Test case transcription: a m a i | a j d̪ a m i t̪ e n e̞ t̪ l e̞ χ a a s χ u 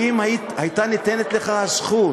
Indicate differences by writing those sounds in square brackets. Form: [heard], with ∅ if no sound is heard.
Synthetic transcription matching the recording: [i] m a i | a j [t̪] a [n] i t̪ e n e̞ t̪ l e̞ χ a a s χ u